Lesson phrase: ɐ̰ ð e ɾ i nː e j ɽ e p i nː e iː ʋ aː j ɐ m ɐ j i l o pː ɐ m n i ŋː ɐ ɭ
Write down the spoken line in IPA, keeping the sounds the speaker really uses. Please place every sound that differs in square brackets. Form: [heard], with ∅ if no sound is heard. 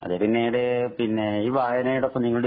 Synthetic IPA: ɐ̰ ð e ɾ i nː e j ɽ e p i nː e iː ʋ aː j ɐ [n] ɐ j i [ɽ] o pː ɐ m n i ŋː ɐ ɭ